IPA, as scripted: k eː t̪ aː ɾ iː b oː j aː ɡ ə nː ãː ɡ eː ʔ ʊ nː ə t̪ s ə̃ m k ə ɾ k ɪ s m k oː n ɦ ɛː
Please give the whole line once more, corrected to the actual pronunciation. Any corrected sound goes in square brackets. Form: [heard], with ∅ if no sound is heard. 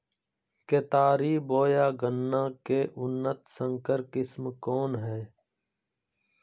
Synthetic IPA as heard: k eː t̪ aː ɾ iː b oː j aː ɡ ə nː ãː [k] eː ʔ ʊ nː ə t̪ s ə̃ [ŋ] k ə ɾ k ɪ s m k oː n ɦ ɛː